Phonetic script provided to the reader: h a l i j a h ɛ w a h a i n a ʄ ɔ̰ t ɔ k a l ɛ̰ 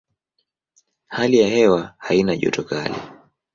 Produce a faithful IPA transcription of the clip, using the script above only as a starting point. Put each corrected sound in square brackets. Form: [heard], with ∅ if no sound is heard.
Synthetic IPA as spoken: h a l i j a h ɛ w a h a i n a ʄ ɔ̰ t ɔ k a l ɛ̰